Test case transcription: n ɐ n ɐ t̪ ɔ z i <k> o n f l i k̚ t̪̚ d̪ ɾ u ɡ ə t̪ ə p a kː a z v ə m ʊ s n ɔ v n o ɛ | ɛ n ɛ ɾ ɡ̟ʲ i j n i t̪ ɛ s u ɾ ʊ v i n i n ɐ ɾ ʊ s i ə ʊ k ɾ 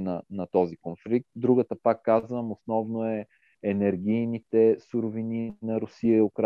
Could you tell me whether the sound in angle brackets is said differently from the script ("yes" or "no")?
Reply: no